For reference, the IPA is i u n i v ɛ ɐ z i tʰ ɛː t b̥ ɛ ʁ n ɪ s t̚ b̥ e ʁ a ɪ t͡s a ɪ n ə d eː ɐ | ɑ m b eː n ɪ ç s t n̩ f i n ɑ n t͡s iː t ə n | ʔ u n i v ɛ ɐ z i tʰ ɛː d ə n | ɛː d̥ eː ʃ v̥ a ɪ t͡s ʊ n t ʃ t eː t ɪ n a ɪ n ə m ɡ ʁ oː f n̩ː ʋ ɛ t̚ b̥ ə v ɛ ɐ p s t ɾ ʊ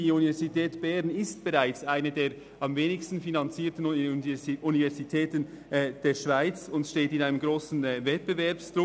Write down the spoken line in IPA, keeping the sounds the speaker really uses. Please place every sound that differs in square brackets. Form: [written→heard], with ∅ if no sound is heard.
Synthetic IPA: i u n i v ɛ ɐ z i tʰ ɛː t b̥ ɛ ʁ n ɪ s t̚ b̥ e ʁ a ɪ t͡s a ɪ n ə d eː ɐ | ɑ m [b→v] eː n ɪ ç s t n̩ f i n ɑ n t͡s iː t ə n | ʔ u n i v ɛ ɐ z i tʰ ɛː [d→t] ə n | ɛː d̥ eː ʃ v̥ a ɪ t͡s ʊ n t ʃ t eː t ɪ n a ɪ n ə m ɡ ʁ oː [f→s] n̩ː [ʋ→v] ɛ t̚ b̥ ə v ɛ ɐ p s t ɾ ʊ